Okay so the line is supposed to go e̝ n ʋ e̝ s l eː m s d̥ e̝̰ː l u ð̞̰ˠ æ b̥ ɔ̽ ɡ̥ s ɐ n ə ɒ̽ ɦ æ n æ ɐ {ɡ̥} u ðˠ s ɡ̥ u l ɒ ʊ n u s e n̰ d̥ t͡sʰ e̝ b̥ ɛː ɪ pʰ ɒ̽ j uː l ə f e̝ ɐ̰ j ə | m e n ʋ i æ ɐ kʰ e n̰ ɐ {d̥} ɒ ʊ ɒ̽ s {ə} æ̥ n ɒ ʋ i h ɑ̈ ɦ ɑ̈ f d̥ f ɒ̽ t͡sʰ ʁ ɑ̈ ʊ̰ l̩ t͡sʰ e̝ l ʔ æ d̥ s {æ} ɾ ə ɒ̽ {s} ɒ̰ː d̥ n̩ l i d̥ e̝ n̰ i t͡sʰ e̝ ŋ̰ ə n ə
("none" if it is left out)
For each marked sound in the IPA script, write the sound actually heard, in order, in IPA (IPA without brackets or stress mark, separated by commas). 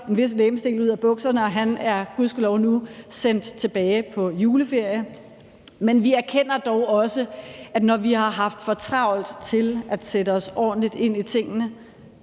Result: ɡ̥, d̥, ə, e, s